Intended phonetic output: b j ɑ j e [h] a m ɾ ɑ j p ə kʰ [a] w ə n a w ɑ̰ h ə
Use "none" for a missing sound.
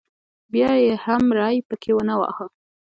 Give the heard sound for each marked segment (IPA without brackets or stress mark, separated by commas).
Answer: h, e